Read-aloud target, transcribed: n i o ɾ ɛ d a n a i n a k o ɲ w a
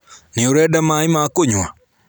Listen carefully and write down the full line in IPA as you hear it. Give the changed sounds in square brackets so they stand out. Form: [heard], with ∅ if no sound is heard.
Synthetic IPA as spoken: n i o ɾ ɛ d a [m] a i [m] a k o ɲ w a